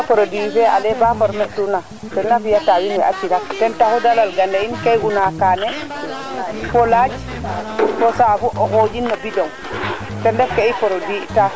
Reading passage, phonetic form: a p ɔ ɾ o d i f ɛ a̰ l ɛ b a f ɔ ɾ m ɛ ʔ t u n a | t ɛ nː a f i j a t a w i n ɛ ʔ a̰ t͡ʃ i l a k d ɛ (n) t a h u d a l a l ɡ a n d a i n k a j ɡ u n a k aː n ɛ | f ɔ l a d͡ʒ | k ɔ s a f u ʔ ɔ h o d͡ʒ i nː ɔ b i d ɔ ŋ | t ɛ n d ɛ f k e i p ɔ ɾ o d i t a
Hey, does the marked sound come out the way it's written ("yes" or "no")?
yes